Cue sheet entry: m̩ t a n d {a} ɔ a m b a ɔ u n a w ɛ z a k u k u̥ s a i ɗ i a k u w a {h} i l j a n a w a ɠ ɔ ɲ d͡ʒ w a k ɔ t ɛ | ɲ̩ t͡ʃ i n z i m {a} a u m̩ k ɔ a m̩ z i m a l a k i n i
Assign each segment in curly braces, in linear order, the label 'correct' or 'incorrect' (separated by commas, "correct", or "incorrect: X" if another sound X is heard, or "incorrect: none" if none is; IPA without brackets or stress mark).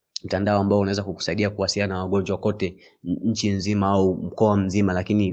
correct, incorrect: s, correct